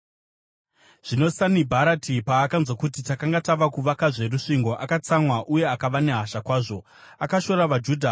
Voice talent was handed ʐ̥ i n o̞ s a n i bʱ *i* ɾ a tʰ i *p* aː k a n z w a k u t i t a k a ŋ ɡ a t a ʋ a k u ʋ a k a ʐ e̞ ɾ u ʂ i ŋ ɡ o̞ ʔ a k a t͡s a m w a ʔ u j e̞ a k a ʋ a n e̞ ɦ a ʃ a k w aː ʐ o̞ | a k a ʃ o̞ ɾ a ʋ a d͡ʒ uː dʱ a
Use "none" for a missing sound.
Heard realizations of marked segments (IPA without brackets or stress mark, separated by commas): a, p